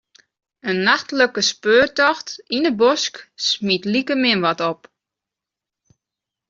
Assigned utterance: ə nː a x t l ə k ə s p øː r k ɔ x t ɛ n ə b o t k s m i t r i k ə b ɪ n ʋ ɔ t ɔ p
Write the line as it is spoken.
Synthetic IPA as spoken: ə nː a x t l ə k ə s p øː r t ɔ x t i n ə b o s k s m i t l i k ə m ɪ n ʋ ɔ t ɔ p